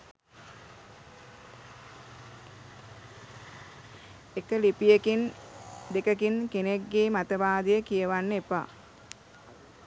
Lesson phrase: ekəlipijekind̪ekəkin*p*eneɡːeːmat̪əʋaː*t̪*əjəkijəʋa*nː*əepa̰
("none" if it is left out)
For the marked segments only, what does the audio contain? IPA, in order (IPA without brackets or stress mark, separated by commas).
k, d̪, nː